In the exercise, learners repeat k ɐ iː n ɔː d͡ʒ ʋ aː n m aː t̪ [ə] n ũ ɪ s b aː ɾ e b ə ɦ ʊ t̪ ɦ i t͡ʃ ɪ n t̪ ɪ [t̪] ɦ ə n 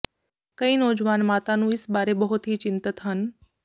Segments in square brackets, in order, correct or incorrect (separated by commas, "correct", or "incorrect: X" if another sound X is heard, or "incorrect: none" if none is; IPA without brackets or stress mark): incorrect: a, correct